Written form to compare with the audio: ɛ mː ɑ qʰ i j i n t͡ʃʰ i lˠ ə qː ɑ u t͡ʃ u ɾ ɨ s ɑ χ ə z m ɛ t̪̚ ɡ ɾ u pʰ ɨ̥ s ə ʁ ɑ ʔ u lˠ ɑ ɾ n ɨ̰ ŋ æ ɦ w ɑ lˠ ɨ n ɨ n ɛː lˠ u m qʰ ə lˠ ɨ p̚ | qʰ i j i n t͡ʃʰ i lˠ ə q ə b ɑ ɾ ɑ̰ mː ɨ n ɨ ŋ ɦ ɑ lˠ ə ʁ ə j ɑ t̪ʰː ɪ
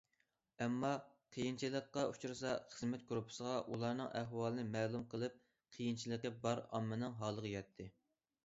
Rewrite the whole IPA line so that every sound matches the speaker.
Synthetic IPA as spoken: ɛ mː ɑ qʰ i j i n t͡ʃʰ i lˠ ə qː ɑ u t͡ʃ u ɾ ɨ s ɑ χ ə z m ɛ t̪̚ ɡ ɾ u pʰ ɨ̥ s ə ʁ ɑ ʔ u lˠ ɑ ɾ n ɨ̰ ŋ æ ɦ w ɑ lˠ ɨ n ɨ m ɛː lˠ u m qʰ ə lˠ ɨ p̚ | qʰ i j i n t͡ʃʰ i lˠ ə q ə b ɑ ɾ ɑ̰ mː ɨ n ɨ ŋ ɦ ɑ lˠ ə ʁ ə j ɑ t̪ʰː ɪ